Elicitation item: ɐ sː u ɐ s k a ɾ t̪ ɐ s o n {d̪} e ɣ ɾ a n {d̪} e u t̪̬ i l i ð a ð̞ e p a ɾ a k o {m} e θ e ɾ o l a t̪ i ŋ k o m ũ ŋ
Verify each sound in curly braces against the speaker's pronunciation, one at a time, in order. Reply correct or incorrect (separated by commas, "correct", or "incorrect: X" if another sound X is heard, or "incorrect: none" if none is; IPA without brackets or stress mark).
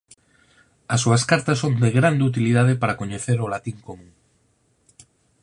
correct, correct, incorrect: ɲ